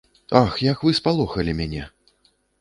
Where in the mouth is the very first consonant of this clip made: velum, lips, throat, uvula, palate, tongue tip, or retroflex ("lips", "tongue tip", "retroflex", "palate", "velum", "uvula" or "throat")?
velum